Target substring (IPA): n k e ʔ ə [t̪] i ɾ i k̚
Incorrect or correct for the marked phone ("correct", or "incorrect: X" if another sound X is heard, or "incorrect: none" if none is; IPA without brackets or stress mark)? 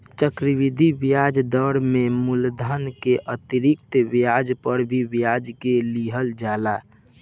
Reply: correct